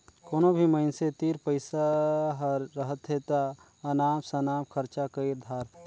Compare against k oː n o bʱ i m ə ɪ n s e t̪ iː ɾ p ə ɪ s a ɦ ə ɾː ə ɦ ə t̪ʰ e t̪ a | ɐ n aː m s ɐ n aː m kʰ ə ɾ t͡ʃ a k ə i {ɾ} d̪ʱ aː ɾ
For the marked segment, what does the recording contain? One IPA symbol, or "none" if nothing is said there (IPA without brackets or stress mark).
ɾ